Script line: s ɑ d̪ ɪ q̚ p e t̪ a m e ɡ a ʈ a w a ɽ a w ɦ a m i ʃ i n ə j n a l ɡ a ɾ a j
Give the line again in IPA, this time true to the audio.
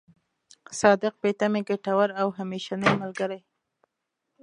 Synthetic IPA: s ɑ d̪ ɪ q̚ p e t̪ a m e ɡ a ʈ a w a ɾ a w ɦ a m e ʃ a n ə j m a l ɡ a ɾ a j